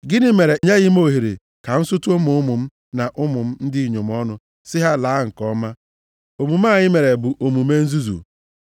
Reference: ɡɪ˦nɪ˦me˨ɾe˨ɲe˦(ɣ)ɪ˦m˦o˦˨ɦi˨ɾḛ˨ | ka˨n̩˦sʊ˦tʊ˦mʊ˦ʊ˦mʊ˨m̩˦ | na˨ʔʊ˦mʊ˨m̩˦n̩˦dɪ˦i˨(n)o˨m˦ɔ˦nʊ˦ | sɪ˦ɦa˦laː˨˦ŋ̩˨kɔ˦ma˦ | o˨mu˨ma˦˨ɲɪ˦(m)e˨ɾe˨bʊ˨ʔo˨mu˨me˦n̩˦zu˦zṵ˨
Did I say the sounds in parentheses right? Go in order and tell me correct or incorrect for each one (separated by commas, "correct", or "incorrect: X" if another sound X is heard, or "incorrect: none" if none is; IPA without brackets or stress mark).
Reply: correct, incorrect: ɲ, correct